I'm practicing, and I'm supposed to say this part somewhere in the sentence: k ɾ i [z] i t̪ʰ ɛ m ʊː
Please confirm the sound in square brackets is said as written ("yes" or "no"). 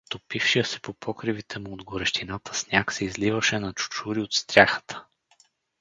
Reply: no